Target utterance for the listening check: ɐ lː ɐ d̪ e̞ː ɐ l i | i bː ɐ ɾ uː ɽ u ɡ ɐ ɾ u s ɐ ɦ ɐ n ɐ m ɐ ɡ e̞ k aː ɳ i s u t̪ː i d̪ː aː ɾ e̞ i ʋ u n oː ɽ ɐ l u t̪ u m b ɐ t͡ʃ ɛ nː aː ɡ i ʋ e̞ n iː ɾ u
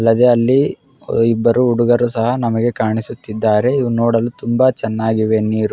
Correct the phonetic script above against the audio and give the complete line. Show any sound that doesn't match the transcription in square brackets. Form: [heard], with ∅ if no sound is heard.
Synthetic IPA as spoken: ɐ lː ɐ d̪ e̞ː ɐ [lː] i | i bː ɐ ɾ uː ɽ u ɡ ɐ ɾ u s ɐ ɦ ɐ n ɐ m ɐ ɡ e̞ k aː ɳ i s u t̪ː i d̪ː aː ɾ e̞ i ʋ u n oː ɽ ɐ l u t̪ u m b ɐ t͡ʃ ɛ nː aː ɡ i ʋ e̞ n iː ɾ u